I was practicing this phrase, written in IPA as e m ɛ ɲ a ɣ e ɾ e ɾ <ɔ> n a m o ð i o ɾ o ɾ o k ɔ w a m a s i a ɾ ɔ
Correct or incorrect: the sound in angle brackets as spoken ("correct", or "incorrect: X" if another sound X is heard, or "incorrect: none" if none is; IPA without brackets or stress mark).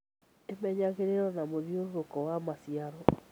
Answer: correct